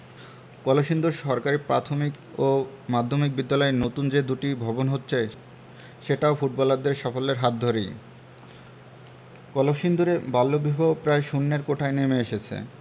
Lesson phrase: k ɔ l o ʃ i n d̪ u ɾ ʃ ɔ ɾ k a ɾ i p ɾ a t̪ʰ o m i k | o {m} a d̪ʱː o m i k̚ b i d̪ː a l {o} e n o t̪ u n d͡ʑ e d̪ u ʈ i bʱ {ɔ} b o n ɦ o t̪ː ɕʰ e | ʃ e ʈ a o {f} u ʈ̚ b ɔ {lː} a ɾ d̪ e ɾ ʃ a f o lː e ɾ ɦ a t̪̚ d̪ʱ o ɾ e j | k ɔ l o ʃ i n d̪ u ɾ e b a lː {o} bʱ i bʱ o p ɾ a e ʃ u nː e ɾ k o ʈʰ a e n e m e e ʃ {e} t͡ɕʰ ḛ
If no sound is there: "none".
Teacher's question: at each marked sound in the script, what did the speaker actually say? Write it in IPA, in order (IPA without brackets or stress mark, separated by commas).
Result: m, ɔ, ɔ, f, l, o, e